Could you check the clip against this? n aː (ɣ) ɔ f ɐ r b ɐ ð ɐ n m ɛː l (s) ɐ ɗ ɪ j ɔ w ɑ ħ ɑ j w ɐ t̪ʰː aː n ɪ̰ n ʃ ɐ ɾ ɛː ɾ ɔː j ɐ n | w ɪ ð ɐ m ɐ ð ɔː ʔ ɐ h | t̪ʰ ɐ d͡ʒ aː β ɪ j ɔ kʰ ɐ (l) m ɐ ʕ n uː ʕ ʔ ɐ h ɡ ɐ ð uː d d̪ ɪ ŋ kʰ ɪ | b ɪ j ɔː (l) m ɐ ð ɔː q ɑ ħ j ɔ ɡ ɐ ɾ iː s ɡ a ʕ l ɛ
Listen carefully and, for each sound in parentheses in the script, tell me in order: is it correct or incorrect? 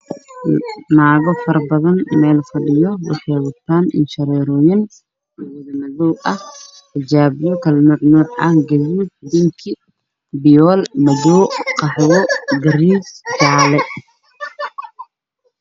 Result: correct, incorrect, correct, correct

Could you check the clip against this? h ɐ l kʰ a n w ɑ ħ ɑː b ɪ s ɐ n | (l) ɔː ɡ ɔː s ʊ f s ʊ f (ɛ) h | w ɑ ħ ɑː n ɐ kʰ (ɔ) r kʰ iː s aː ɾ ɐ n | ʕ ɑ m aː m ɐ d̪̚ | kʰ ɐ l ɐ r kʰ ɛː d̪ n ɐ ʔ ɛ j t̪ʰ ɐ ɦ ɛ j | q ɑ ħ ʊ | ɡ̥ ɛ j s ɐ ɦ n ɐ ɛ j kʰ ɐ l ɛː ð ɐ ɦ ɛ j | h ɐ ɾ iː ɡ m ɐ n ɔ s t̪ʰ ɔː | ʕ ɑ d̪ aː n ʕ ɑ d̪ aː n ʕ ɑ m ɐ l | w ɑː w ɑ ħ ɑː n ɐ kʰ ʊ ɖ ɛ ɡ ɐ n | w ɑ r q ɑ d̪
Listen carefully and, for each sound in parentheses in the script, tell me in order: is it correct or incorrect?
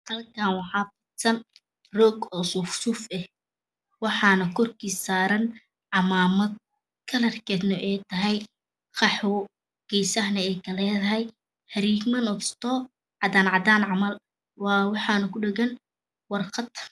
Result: incorrect, correct, correct

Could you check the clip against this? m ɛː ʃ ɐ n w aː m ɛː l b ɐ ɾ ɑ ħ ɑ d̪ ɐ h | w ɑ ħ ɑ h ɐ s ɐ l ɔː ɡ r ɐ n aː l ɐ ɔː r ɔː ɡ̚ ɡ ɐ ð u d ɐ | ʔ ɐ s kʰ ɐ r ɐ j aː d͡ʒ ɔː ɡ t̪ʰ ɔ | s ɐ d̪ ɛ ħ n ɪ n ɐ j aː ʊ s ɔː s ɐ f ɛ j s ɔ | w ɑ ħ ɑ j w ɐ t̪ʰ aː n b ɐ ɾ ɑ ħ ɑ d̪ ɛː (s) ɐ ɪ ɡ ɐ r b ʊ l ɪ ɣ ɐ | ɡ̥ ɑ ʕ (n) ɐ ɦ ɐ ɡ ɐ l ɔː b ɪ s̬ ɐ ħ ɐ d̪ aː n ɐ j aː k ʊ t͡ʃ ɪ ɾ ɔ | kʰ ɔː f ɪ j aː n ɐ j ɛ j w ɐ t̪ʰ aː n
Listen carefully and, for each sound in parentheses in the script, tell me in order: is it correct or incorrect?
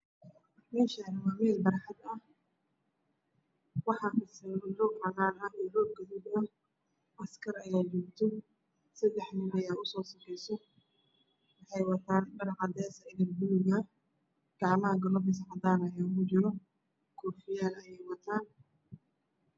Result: correct, incorrect

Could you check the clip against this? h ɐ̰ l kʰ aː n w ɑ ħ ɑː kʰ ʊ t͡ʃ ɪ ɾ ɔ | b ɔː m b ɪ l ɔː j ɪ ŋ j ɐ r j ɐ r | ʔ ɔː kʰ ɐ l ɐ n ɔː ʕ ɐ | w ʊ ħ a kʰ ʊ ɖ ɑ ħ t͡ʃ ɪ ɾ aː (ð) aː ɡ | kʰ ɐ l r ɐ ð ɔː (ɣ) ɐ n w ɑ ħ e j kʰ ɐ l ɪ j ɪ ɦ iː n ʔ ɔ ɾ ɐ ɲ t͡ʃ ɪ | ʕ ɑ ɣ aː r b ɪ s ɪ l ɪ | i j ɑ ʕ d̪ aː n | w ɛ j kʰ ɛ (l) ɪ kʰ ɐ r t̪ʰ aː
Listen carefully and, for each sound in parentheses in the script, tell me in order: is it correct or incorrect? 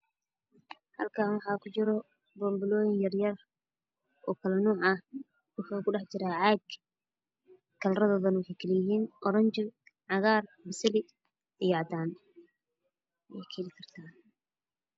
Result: incorrect, incorrect, correct

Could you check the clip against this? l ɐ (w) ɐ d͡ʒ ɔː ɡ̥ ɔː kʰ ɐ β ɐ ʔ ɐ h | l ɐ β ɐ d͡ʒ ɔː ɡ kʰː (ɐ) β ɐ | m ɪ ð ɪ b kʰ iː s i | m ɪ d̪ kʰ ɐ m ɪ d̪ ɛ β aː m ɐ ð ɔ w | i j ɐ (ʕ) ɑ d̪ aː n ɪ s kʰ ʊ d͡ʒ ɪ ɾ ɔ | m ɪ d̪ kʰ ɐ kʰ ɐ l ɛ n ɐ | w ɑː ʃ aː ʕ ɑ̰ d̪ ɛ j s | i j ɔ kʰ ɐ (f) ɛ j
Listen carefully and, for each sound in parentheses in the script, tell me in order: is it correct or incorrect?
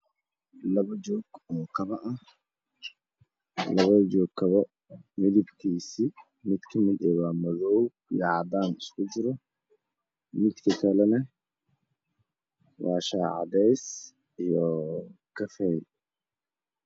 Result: incorrect, correct, correct, correct

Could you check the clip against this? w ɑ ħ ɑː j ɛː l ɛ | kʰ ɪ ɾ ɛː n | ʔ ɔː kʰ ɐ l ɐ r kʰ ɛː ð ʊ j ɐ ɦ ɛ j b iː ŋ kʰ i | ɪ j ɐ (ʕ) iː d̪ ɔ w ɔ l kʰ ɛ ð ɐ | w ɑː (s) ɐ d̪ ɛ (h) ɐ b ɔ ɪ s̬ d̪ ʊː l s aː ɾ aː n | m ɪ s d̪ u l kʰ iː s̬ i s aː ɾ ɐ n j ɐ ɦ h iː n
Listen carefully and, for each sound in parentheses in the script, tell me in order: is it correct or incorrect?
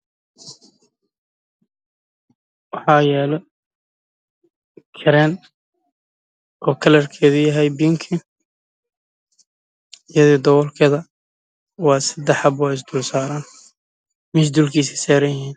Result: incorrect, correct, incorrect

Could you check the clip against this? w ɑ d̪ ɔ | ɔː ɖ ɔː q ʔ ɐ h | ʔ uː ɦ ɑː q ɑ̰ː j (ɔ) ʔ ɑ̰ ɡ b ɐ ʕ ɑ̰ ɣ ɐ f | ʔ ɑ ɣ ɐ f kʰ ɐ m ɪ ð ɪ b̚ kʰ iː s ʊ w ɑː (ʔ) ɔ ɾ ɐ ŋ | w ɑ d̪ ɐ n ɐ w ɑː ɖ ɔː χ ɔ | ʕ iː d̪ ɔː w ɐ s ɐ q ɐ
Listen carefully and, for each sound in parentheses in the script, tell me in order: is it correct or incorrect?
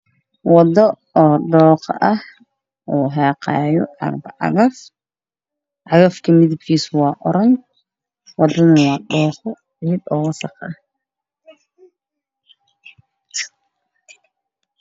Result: correct, correct

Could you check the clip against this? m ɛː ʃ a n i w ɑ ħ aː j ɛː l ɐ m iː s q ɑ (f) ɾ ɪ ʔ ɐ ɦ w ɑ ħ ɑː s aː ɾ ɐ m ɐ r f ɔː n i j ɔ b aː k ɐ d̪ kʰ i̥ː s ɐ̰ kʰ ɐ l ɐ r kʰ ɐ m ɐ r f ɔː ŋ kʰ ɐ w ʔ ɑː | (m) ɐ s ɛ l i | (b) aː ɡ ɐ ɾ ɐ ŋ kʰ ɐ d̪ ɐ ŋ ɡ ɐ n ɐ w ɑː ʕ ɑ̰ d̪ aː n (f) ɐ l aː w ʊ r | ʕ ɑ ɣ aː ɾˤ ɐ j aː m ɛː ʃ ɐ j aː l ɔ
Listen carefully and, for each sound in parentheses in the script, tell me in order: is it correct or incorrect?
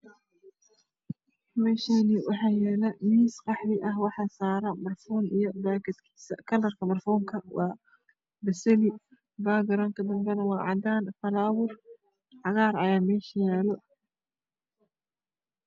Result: incorrect, incorrect, correct, correct

